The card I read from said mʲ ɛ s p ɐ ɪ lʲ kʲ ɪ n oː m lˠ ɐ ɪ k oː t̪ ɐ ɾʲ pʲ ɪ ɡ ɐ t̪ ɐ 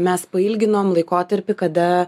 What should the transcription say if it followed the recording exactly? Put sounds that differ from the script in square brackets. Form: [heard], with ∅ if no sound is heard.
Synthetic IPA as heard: mʲ ɛ s p ɐ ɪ lʲ [ɡʲ] ɪ n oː m lˠ ɐ ɪ k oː t̪ ɐ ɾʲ pʲ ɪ [k] ɐ [d̪] ɐ